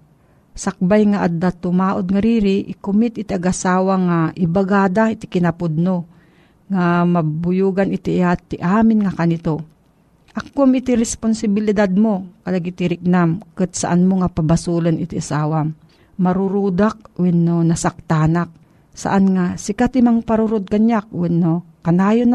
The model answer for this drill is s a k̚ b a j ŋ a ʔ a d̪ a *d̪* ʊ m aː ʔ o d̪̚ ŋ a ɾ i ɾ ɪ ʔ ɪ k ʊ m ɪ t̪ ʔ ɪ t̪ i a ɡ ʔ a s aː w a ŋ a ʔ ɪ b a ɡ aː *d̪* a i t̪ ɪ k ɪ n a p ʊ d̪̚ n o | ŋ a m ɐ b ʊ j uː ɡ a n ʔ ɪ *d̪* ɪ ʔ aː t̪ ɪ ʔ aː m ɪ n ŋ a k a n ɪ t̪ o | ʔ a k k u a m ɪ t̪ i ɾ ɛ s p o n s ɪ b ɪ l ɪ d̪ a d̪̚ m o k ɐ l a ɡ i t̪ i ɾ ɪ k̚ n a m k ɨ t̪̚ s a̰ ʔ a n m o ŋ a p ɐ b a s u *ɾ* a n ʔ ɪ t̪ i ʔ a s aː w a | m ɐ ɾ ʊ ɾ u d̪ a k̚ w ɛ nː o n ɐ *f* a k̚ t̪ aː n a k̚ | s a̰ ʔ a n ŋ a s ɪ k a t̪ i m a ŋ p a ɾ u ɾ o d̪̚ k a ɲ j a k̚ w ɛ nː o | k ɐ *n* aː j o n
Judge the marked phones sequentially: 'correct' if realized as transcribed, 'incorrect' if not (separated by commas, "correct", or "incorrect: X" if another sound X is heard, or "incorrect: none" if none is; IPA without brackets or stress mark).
incorrect: t̪, correct, incorrect: t̪, incorrect: l, incorrect: s, correct